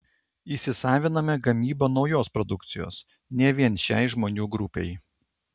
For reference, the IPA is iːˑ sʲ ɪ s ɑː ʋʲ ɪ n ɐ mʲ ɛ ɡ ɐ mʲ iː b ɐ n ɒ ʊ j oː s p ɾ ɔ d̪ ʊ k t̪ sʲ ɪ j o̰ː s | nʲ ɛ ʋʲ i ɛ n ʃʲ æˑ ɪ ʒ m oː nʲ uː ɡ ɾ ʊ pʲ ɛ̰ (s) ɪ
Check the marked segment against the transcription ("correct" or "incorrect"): incorrect